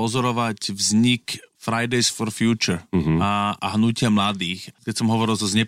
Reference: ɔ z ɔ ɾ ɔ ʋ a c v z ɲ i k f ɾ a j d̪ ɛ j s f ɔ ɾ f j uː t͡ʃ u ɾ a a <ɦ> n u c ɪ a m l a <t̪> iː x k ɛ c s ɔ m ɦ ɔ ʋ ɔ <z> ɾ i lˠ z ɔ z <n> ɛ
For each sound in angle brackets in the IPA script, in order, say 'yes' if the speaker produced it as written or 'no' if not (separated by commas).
yes, no, no, no